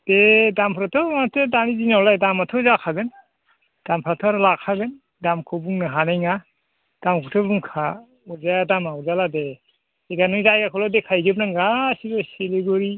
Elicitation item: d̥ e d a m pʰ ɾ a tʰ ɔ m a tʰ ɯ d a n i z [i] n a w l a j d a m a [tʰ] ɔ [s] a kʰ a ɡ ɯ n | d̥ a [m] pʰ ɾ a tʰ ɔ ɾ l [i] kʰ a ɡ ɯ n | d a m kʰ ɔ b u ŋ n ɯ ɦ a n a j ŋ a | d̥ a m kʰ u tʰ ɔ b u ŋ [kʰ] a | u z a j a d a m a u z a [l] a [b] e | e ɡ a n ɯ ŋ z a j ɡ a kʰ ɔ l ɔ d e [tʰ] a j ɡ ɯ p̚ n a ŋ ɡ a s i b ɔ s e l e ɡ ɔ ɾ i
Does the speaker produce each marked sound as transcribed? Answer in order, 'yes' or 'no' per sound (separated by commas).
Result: yes, yes, no, yes, no, yes, yes, no, no